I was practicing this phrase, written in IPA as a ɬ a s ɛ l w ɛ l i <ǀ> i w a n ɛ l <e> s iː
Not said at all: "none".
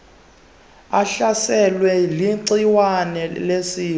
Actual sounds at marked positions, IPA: ǀ, e

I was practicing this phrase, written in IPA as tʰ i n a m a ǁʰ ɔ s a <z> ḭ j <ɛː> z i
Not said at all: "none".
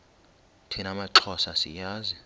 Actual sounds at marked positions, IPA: s, aː

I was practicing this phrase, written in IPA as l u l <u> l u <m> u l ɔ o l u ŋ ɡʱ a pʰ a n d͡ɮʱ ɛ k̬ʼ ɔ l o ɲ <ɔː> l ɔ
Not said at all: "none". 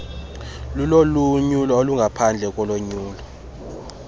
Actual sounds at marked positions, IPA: o, ɲ, uː

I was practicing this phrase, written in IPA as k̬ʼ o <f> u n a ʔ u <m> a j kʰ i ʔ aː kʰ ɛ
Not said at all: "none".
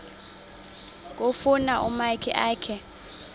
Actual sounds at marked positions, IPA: f, m

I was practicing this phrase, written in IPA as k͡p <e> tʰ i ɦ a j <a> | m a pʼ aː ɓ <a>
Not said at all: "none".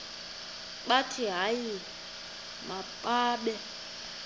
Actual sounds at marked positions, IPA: a, i, ɛ

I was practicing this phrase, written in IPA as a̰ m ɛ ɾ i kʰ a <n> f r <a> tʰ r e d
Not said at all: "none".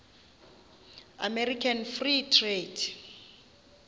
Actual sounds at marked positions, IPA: n, i

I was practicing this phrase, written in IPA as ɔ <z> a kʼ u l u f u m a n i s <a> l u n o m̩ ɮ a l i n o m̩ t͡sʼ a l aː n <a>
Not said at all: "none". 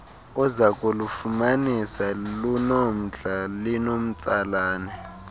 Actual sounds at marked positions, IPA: z, a, ɛ

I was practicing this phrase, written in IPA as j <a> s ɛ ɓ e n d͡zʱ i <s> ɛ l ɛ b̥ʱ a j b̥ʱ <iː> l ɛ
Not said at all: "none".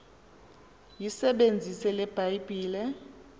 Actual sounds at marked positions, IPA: i, s, iː

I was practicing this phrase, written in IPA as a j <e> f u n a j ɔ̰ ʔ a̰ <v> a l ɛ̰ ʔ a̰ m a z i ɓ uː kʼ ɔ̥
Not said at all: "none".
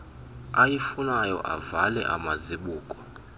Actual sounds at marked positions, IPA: i, v

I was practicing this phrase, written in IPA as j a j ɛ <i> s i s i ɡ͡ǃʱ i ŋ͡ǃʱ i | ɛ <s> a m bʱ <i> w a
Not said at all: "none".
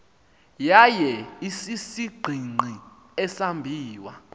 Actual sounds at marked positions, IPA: i, s, iː

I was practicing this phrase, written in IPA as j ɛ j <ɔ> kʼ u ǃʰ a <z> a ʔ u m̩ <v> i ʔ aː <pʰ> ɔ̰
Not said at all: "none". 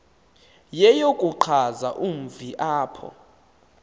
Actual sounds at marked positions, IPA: o, z, v, pʰ

